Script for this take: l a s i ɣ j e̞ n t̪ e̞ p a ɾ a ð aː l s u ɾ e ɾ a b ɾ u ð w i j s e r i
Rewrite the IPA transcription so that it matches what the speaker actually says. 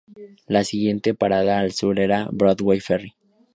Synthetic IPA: l a s i ɣ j e̞ n t̪ e̞ p a ɾ a ð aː l s u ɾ e ɾ a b ɾ o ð w e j f e r i